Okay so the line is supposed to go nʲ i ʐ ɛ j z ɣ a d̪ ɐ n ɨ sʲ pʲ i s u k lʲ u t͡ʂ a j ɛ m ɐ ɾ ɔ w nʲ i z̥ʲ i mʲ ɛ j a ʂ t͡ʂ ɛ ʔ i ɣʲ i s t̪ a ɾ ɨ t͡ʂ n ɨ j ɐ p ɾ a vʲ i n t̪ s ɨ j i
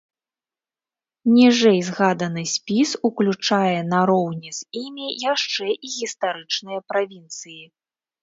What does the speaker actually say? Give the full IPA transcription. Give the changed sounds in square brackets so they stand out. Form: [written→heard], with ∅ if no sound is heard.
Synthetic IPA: nʲ i ʐ ɛ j z ɣ a d̪ ɐ n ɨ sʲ pʲ i s u k lʲ u t͡ʂ a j ɛ [m→n] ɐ ɾ ɔ w nʲ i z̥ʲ i mʲ [ɛ→i] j a ʂ t͡ʂ ɛ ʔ i ɣʲ i s t̪ a ɾ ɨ t͡ʂ n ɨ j ɐ p ɾ a vʲ i n t̪ s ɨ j i